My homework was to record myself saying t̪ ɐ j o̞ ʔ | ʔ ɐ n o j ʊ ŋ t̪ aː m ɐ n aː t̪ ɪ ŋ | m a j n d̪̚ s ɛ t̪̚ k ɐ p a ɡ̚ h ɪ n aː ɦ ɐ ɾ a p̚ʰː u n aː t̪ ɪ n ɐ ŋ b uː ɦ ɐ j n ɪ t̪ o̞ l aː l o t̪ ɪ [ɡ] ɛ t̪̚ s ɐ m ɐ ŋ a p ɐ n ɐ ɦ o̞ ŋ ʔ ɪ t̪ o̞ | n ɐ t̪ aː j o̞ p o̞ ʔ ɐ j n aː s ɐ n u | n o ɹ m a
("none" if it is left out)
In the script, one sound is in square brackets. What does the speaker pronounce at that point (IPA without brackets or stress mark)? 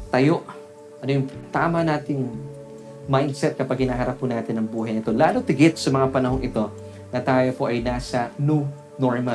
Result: ɡ